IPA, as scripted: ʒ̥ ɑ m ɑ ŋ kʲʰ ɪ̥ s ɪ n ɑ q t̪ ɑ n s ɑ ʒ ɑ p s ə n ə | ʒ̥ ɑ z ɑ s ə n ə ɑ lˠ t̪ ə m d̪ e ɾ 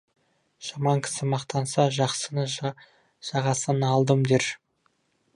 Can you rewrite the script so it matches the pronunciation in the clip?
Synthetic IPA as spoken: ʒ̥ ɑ m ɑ ŋ kʲʰ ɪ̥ s ɪ m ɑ q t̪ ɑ n s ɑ ʒ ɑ q s ə n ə | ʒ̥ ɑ ʁ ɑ s ə n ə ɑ lˠ d̪ ə m d̪ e ɾ